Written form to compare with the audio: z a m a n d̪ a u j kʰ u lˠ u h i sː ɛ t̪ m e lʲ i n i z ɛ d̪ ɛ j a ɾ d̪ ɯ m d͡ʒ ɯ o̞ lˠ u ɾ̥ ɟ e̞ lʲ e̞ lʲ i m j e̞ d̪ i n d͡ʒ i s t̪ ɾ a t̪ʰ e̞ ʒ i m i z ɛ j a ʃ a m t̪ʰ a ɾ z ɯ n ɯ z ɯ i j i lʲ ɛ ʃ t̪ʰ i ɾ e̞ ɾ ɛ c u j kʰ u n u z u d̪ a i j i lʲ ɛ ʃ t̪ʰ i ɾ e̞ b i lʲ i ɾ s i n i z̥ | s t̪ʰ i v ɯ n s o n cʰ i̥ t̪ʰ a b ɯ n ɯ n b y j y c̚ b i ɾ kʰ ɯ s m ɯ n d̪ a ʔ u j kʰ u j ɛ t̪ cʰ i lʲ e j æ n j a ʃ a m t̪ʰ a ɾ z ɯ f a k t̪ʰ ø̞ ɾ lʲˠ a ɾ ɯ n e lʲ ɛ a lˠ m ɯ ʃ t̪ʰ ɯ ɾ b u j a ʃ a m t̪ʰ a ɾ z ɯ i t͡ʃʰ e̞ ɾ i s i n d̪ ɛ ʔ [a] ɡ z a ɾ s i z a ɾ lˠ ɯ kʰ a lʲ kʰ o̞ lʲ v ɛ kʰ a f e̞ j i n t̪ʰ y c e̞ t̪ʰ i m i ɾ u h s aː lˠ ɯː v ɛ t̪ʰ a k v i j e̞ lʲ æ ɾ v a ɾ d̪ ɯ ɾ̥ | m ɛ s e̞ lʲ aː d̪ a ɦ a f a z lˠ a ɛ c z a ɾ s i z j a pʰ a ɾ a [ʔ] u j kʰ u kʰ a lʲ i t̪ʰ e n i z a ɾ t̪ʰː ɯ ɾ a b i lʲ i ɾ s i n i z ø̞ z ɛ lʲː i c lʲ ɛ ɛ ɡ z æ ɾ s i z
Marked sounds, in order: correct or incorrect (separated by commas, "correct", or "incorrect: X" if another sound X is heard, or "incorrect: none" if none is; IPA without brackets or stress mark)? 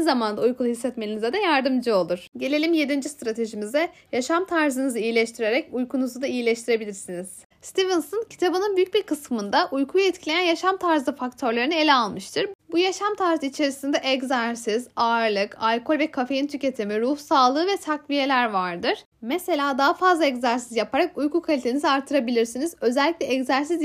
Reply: incorrect: ɛ, incorrect: k